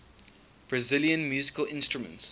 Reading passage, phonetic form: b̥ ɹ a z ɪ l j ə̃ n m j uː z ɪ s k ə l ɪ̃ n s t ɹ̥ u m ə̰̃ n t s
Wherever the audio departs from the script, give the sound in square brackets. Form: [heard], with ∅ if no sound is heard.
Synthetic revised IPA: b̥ ɹ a z ɪ l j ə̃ n m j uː z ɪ [∅] k ə l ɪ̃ n s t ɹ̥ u m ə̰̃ n t s